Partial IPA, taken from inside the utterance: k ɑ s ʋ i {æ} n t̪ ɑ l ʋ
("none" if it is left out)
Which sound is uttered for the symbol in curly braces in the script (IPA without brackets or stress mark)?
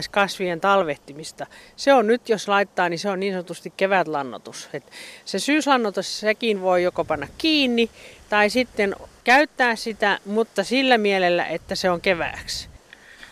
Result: e